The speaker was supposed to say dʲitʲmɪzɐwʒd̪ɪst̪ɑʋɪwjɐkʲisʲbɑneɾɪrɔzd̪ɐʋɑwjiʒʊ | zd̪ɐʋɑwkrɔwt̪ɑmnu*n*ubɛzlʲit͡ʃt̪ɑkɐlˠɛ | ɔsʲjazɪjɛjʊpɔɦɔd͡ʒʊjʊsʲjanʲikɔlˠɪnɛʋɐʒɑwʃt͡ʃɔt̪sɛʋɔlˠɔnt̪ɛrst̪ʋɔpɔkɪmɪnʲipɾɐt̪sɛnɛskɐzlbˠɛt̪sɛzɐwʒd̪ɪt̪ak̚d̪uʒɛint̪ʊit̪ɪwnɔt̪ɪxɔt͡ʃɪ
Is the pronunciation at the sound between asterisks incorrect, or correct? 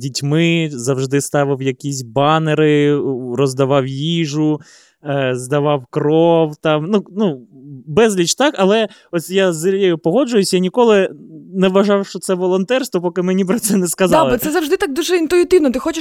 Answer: correct